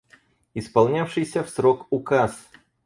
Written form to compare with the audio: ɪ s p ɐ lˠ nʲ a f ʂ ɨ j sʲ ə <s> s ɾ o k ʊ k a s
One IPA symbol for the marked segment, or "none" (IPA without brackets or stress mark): f